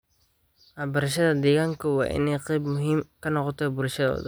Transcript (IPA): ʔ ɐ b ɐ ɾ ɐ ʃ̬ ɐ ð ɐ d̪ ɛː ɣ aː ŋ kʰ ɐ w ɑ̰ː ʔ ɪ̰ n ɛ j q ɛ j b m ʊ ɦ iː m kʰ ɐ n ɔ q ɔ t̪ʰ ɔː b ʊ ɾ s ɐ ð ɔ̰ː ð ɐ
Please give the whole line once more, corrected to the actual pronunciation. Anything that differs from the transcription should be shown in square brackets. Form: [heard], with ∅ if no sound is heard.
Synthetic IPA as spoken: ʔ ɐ b ɐ ɾ ɐ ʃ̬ ɐ ð ɐ d̪ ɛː ɣ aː ŋ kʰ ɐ w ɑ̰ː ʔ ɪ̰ n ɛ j q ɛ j b m ʊ ɦ iː m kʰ ɐ n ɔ q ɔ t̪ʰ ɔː b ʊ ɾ [ʃ] ɐ ð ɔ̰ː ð ɐ